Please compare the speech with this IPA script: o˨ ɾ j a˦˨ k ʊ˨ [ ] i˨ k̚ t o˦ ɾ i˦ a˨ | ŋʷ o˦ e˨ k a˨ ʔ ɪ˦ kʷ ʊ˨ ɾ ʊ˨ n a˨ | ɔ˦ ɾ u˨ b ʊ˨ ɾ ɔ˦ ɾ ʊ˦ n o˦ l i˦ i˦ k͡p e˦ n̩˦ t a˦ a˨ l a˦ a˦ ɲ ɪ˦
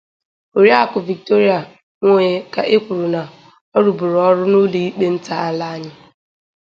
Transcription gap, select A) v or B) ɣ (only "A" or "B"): A